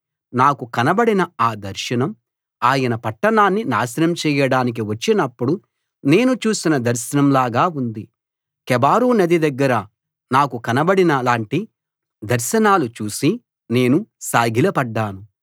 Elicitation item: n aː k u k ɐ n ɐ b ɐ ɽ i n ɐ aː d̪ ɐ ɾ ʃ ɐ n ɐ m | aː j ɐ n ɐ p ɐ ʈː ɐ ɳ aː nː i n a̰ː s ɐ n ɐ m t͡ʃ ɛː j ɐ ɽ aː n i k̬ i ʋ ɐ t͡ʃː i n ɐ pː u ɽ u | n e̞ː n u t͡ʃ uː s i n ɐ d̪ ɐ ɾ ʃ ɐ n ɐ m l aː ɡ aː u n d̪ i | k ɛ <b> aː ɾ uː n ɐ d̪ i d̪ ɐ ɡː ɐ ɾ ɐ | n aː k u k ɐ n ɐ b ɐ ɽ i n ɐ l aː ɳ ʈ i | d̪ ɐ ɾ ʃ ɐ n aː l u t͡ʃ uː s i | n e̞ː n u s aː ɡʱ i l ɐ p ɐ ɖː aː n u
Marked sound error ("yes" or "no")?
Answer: no